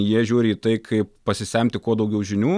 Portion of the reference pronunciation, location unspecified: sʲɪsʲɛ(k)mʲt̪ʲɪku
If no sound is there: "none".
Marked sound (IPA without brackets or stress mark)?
none